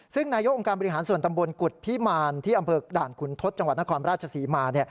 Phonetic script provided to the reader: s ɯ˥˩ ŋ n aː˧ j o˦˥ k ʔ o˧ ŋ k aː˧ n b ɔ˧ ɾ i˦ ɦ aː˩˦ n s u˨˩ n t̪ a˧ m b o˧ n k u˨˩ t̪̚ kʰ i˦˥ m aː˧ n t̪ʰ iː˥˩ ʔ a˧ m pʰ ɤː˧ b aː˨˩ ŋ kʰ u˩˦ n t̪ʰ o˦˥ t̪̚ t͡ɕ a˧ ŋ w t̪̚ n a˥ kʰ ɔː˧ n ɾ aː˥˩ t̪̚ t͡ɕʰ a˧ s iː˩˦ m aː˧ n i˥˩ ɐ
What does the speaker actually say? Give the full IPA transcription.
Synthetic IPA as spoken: s ɯ˥˩ ŋ n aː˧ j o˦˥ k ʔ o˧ ŋ k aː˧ n b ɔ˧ ɾ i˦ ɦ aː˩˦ n s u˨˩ n t̪ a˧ m b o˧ n k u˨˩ t̪̚ pʰ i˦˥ m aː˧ n t̪ʰ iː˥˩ ʔ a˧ m pʰ ɤː˧ d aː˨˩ n kʰ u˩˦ n t̪ʰ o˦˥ t̪̚ t͡ɕ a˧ ŋ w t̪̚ n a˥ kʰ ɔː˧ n ɾ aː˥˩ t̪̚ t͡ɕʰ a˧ s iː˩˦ m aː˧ n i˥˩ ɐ